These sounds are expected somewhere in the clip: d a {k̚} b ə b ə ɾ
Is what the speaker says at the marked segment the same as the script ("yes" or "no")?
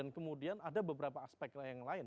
no